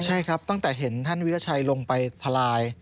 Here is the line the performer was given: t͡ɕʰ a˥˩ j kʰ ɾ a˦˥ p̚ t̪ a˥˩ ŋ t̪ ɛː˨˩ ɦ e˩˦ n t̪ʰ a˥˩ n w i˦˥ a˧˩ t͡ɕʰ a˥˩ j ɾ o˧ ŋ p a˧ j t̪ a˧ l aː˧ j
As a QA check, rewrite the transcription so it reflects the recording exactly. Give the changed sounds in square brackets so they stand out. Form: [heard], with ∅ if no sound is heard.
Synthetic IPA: t͡ɕʰ a˥˩ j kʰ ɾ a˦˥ p̚ t̪ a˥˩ ŋ t̪ ɛː˨˩ ɦ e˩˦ n t̪ʰ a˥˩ n w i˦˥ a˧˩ t͡ɕʰ [a˧] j [l] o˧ ŋ p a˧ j [t̪ʰ] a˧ l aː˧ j